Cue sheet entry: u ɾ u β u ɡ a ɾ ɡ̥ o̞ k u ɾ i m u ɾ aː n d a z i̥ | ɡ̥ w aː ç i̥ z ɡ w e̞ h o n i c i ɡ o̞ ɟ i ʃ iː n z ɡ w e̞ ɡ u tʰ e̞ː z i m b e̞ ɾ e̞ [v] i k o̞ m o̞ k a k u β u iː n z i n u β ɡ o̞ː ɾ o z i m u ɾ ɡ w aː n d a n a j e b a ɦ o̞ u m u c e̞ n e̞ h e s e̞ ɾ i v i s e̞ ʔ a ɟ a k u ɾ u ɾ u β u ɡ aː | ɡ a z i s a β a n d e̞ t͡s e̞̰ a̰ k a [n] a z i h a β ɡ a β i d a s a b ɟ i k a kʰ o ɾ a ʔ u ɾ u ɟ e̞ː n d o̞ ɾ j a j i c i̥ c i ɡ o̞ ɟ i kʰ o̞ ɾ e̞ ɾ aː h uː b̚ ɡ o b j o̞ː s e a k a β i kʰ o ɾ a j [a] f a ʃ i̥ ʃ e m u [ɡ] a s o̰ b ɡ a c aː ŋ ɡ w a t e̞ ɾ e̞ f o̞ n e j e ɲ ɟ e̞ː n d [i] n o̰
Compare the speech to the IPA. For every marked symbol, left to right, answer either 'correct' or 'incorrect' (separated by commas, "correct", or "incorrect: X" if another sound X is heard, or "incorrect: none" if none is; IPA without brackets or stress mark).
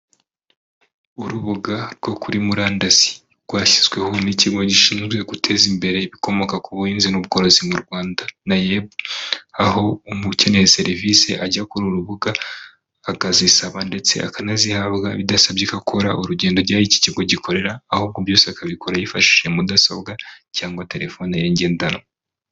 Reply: incorrect: β, correct, incorrect: i, incorrect: d, incorrect: a